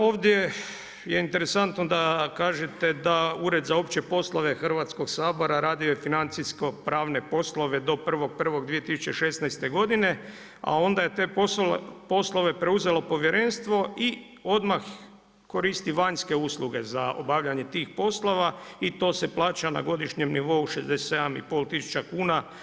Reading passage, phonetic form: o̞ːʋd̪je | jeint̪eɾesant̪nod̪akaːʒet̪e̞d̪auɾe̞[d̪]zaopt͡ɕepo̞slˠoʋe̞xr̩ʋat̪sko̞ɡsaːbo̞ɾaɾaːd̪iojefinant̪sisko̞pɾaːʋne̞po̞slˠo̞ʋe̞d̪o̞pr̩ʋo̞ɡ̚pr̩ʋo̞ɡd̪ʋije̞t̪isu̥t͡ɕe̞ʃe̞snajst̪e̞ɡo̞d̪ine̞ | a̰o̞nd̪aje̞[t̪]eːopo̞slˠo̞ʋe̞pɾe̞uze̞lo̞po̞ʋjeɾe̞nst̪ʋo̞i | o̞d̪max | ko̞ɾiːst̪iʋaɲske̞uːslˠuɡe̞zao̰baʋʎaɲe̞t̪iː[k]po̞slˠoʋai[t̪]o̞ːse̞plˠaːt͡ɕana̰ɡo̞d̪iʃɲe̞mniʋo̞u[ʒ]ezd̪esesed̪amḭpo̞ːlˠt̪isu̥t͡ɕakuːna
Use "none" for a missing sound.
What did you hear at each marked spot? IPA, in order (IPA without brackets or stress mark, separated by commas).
d̪, t̪, x, t̪, ʃ